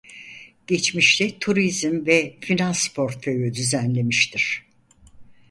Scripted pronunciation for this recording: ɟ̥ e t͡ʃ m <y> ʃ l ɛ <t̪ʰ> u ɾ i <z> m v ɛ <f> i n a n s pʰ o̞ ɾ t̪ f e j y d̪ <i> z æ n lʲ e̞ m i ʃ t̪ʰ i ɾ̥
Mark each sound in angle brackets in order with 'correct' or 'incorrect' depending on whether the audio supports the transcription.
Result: incorrect: i, correct, correct, correct, incorrect: y

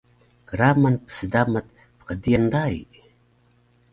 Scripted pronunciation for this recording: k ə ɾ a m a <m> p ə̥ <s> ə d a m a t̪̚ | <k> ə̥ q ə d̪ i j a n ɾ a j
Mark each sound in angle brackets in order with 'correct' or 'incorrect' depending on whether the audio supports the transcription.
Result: incorrect: n, correct, incorrect: p

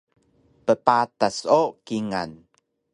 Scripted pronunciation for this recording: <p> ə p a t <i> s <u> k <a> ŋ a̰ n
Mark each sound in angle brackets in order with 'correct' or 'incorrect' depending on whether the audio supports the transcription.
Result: correct, incorrect: a, incorrect: o, incorrect: i

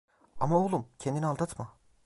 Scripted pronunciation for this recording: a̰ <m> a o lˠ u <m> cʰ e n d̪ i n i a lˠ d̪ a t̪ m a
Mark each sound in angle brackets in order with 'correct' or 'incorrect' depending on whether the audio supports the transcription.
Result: correct, correct

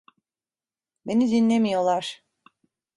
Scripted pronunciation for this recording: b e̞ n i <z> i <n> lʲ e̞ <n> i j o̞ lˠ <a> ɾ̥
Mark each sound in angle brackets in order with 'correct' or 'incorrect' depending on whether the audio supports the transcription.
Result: correct, correct, incorrect: m, correct

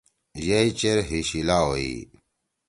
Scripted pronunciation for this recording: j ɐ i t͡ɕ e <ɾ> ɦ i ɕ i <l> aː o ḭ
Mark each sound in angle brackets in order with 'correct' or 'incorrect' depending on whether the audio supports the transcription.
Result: correct, correct

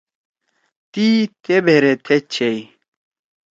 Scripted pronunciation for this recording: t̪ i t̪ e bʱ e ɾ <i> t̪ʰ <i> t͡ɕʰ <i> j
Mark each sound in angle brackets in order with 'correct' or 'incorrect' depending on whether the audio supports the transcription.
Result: incorrect: e, incorrect: e, incorrect: e

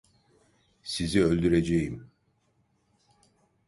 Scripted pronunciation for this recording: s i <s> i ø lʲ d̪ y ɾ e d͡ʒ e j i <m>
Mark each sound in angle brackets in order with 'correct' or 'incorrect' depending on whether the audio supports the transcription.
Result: incorrect: z, correct

